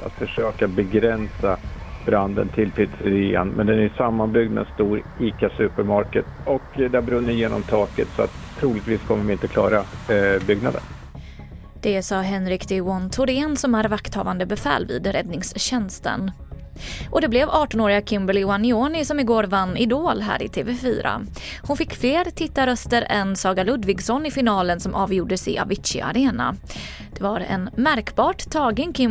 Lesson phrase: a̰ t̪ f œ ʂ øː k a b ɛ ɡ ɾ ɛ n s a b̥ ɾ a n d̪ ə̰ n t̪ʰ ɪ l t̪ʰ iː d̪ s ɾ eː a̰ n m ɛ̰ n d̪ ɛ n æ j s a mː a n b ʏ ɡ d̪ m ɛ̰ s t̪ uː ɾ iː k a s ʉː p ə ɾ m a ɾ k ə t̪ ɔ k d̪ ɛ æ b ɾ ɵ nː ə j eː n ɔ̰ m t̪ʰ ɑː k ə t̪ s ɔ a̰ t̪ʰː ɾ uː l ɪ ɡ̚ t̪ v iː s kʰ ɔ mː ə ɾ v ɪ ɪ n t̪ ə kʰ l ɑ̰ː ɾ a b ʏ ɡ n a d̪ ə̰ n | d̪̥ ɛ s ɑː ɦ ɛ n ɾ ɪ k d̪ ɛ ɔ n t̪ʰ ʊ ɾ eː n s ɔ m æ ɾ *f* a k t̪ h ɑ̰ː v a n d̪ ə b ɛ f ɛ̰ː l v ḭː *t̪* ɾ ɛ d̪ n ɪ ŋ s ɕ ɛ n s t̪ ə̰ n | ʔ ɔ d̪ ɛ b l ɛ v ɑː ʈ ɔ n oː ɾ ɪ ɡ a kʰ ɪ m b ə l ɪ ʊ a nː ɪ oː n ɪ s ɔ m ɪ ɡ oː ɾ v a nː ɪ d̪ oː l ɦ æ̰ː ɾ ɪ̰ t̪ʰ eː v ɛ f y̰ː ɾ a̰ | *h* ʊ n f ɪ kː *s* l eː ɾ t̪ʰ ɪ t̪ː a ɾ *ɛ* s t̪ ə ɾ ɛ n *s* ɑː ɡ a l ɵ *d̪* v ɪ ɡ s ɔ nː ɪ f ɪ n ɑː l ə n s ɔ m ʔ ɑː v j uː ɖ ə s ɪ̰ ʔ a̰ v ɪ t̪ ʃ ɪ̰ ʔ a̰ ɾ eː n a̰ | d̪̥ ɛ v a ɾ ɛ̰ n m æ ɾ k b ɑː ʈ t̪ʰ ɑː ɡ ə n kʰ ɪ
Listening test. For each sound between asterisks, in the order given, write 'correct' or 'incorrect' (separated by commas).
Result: incorrect, incorrect, correct, incorrect, incorrect, correct, correct